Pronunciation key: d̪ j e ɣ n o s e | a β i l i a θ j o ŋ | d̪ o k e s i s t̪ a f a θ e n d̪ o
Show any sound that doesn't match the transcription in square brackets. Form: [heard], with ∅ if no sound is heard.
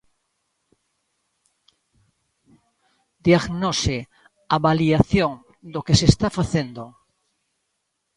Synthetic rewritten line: d̪ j [a] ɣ n o s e | a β [a] l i a θ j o ŋ | d̪ o k e s [e] s t̪ a f a θ e n d̪ o

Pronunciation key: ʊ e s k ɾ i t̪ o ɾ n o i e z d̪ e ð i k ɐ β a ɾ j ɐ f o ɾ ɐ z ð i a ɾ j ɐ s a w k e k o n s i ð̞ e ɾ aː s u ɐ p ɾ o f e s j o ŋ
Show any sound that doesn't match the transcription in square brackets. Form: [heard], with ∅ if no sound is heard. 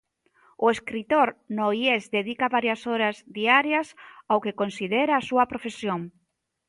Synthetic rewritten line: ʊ e s k ɾ i t̪ o ɾ n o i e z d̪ e ð i k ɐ β a ɾ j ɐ [s] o ɾ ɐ z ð i a ɾ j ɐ s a w k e k o n s i ð̞ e ɾ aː s u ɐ p ɾ o f e s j o ŋ

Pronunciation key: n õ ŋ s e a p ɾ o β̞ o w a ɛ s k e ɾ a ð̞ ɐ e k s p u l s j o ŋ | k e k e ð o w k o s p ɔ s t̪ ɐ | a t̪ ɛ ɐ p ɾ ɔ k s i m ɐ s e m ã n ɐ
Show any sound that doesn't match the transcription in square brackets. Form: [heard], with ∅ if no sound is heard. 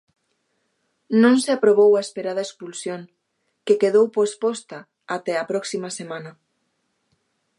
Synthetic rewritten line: n õ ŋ s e a p ɾ o β̞ o w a [e] s [p] e ɾ a ð̞ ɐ e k s p u l s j o ŋ | k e k e ð o w [p] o s p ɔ s t̪ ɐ | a t̪ ɛ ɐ p ɾ ɔ k s i m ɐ s e m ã n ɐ

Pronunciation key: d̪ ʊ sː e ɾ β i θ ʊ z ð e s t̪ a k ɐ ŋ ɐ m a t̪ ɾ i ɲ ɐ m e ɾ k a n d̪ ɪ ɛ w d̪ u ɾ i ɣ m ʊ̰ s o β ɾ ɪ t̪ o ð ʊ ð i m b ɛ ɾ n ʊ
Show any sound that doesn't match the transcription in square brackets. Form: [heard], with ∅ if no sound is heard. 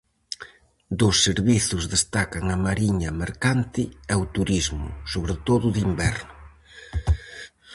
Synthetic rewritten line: d̪ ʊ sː e ɾ β i θ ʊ z ð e s t̪ a k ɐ ŋ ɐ m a [∅] ɾ i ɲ ɐ m e ɾ k a n [t̪] ɪ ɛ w [t̪] u ɾ i [z] m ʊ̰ s o β ɾ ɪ t̪ o ð ʊ ð i m b ɛ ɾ n ʊ

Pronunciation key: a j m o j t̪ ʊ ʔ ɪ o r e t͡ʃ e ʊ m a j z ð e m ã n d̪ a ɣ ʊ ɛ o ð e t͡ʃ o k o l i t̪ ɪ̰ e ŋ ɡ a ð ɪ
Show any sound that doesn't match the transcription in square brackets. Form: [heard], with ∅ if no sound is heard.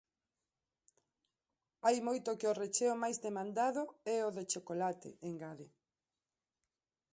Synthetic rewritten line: a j m o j t̪ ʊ [k] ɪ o r e t͡ʃ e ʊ m a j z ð e m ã n d̪ a [ð] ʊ ɛ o ð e t͡ʃ o k o l [a] t̪ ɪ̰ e ŋ ɡ a ð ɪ

